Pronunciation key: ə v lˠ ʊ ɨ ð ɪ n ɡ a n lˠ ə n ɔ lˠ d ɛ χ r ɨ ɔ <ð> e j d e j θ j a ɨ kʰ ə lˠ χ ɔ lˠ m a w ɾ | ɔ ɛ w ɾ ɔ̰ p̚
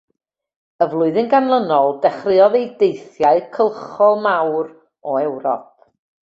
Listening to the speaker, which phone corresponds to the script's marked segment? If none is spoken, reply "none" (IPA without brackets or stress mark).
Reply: ð